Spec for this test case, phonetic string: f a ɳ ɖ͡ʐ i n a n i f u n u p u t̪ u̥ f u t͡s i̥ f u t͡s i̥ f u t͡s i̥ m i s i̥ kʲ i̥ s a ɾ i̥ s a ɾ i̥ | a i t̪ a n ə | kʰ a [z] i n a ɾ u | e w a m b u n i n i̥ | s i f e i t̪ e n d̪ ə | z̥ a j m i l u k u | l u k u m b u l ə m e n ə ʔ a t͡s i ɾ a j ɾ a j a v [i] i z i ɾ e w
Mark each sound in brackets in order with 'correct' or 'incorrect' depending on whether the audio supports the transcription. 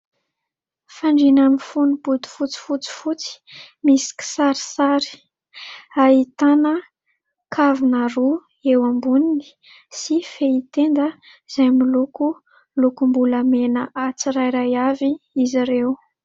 incorrect: v, correct

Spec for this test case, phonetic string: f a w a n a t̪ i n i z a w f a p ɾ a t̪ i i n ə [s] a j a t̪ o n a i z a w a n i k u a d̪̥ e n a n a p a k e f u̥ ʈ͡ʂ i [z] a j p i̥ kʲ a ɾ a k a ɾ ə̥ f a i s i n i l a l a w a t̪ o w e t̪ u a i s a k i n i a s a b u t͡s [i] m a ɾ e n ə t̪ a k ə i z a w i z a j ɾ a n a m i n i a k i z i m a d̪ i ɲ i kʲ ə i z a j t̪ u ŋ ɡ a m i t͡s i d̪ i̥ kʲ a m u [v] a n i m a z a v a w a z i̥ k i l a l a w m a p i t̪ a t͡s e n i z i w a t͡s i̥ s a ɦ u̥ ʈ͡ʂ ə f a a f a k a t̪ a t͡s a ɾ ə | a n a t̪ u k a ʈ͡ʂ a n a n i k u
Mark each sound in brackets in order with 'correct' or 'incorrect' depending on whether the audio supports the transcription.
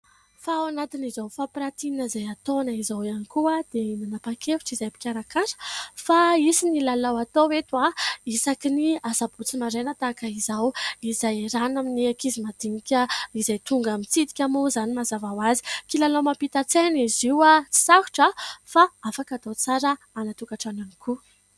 incorrect: z, correct, correct, incorrect: z

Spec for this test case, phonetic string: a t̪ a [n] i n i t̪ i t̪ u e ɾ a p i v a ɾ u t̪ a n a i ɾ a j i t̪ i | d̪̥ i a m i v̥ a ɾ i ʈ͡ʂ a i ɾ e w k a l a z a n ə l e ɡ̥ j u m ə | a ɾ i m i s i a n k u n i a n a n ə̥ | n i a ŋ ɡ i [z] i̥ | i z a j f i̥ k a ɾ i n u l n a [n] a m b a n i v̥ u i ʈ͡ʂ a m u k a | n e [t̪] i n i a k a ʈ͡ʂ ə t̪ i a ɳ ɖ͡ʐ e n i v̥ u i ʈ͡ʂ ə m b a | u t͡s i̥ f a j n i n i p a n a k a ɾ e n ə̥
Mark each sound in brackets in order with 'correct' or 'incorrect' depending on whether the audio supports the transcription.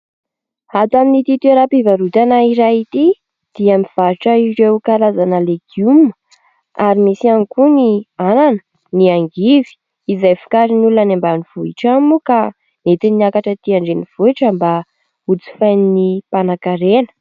incorrect: m, incorrect: v, correct, correct

